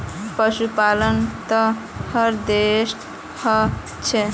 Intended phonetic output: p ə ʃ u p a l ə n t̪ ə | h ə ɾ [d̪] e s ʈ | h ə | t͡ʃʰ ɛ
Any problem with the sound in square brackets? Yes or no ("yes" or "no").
no